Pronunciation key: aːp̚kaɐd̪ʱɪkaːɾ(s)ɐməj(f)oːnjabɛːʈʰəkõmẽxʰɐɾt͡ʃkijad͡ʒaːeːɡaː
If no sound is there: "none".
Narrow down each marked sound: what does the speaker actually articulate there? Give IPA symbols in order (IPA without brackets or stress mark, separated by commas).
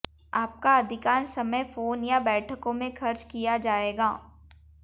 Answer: s, f